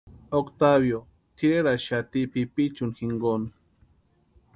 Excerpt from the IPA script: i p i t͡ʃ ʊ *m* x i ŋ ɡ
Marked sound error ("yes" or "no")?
yes